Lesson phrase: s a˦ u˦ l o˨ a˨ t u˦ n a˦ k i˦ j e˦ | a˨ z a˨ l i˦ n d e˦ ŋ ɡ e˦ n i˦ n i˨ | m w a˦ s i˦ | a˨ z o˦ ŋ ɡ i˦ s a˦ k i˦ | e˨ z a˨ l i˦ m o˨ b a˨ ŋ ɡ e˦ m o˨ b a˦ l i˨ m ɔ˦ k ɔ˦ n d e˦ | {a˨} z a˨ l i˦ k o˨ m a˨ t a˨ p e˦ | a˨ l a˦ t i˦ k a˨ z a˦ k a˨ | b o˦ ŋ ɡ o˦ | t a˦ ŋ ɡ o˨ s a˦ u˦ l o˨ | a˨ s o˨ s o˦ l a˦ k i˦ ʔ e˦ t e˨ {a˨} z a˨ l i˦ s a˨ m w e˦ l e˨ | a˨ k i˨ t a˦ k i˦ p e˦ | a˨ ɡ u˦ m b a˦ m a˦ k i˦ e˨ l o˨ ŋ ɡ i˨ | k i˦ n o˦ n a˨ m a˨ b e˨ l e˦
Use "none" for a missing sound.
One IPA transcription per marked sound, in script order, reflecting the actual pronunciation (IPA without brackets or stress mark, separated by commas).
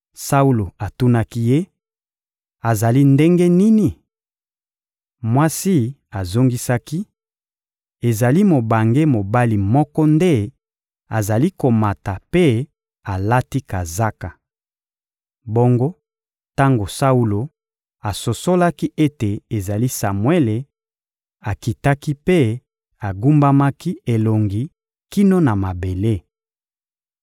a˨, e˨